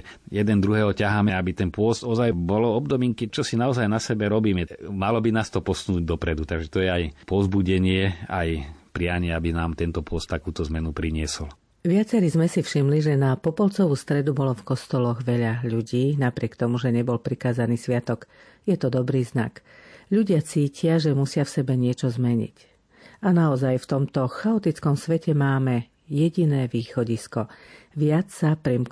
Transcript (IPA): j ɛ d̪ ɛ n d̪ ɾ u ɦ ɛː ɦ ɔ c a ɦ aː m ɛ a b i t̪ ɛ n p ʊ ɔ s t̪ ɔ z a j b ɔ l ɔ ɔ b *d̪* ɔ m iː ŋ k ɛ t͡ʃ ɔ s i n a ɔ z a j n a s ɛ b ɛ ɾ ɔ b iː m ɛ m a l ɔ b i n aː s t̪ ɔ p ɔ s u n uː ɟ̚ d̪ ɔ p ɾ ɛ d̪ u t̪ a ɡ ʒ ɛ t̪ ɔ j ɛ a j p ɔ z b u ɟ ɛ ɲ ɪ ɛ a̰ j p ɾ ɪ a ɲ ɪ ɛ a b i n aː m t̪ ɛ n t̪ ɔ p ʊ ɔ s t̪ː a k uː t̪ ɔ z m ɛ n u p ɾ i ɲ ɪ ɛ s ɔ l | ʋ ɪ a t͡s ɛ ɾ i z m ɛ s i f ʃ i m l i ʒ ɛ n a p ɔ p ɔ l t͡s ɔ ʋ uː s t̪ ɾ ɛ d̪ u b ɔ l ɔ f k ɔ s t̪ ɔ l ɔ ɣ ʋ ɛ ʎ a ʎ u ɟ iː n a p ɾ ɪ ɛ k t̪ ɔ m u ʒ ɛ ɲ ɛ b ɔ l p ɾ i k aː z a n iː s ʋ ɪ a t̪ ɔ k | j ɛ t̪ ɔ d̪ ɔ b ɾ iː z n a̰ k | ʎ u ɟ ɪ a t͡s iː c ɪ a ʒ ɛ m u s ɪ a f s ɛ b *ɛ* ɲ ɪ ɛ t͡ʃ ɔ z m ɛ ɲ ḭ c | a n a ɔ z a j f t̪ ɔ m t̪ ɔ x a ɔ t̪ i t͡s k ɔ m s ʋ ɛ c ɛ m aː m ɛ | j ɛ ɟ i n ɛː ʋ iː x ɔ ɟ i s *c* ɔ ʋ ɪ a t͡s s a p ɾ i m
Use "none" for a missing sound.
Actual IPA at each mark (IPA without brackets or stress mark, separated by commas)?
d̪, ɛ, k